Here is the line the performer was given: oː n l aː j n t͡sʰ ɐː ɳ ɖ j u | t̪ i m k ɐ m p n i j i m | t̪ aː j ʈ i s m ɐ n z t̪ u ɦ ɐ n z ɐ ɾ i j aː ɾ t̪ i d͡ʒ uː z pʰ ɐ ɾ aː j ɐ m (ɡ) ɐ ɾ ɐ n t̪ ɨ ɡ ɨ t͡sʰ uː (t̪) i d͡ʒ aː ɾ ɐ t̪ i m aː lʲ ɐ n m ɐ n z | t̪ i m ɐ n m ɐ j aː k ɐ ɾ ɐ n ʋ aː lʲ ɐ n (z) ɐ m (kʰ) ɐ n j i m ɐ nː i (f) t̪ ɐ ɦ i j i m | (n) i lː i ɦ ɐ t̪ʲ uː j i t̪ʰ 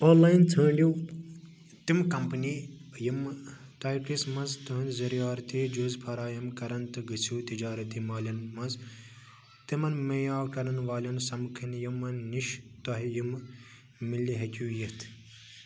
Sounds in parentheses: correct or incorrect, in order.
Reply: incorrect, correct, incorrect, correct, incorrect, incorrect

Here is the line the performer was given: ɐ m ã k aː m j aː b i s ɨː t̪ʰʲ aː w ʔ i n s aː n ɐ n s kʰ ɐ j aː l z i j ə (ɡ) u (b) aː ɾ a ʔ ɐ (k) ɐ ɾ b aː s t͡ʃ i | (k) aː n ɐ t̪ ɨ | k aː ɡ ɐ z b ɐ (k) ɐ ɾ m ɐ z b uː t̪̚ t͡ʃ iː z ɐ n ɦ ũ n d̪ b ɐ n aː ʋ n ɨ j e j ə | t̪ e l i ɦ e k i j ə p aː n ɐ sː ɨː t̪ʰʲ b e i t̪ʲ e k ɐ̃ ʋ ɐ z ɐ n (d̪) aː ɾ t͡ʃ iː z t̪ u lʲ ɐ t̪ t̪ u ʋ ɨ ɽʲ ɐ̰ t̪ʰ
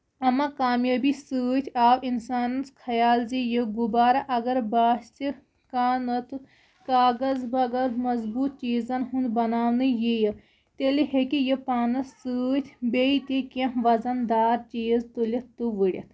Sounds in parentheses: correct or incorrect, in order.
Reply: correct, correct, incorrect, correct, incorrect, correct

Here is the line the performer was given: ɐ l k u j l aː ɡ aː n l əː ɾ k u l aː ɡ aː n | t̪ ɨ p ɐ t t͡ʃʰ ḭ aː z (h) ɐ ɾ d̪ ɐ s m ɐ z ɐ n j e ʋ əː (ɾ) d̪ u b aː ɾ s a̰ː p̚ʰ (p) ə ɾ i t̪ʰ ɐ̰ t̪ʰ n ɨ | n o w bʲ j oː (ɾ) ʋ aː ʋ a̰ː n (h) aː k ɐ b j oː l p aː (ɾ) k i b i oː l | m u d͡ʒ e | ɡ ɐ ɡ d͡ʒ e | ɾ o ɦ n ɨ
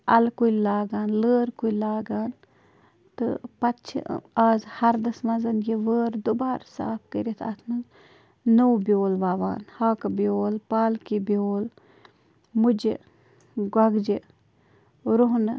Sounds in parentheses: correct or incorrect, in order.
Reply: correct, correct, incorrect, incorrect, correct, incorrect

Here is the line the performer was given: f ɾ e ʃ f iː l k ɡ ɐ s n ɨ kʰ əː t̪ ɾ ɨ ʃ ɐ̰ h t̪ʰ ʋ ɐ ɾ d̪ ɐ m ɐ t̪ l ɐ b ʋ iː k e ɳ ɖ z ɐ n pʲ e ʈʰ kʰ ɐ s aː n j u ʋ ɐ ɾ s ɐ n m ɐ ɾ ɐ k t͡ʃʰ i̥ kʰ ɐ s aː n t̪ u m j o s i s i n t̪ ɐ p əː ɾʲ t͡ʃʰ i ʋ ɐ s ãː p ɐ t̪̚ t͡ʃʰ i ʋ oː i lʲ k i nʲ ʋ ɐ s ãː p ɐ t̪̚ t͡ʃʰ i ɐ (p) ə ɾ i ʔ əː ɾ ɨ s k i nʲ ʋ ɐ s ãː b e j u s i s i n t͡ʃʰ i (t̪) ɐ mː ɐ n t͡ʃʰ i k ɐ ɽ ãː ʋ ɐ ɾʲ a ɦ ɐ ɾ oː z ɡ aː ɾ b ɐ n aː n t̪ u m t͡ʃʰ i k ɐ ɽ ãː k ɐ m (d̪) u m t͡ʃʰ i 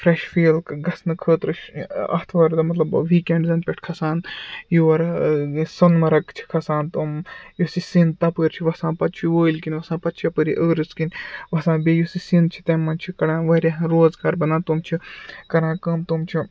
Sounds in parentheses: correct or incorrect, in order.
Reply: correct, correct, incorrect

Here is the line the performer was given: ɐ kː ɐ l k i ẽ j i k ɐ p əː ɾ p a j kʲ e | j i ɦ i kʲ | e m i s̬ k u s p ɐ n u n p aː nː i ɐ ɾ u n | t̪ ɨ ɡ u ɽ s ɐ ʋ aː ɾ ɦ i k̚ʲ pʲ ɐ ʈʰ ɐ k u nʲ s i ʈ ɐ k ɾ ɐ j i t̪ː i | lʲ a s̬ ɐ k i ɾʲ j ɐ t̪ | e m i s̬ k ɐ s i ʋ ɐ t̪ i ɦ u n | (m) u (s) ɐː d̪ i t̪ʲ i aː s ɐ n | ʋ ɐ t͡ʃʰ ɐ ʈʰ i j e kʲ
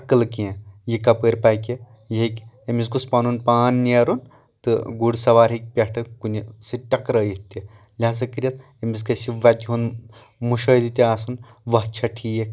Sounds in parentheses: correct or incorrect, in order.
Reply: correct, incorrect

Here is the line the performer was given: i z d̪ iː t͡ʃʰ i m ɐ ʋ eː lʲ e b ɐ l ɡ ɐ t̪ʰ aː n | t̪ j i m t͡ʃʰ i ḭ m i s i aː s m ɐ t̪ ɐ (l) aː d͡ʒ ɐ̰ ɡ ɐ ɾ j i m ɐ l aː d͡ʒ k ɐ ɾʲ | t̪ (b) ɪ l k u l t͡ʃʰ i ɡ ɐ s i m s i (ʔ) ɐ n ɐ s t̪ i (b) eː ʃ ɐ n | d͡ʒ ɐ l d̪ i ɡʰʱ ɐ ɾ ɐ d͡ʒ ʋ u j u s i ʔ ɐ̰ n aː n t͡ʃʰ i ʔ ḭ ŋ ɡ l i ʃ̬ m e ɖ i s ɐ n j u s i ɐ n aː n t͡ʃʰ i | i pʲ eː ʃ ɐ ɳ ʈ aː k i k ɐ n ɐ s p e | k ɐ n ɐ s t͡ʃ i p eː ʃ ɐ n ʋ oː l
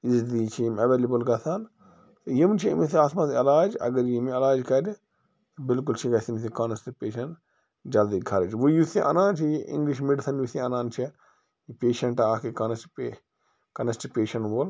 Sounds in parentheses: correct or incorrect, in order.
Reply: correct, correct, incorrect, incorrect

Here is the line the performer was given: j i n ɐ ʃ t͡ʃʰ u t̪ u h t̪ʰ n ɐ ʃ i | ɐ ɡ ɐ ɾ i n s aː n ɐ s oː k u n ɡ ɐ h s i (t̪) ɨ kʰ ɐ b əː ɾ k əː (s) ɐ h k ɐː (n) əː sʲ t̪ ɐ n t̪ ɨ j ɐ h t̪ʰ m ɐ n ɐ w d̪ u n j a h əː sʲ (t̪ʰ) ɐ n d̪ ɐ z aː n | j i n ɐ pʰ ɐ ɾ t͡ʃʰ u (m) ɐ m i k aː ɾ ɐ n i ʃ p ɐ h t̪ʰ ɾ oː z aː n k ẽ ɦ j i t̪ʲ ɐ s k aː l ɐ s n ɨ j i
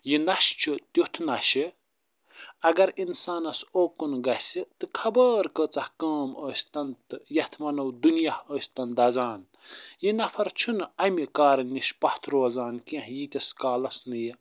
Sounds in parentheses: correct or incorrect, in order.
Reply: correct, incorrect, incorrect, incorrect, incorrect

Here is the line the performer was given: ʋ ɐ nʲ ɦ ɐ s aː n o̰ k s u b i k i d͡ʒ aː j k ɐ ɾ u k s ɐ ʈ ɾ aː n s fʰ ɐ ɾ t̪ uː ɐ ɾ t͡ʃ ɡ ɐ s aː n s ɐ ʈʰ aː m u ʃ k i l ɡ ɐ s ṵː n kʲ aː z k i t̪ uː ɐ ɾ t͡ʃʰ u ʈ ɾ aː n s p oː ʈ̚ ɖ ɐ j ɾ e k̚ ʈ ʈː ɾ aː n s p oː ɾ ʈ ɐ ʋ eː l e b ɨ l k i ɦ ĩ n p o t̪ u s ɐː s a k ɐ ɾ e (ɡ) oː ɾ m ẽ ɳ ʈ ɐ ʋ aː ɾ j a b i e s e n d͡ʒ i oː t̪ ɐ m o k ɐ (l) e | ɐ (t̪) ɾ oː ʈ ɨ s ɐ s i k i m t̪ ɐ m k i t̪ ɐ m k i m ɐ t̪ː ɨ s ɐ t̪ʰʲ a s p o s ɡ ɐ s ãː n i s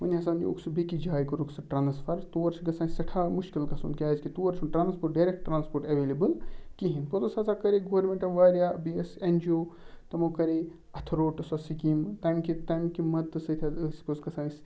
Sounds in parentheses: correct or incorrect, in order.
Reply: correct, incorrect, incorrect

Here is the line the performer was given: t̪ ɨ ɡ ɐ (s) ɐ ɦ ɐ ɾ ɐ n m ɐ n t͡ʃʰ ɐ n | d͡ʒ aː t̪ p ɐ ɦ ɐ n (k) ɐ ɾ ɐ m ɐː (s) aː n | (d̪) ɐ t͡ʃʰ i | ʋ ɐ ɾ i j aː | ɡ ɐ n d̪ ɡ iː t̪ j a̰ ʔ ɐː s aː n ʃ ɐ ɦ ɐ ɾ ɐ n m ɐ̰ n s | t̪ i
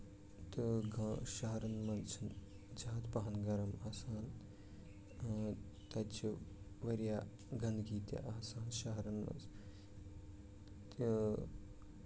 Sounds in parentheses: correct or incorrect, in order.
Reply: incorrect, incorrect, correct, incorrect

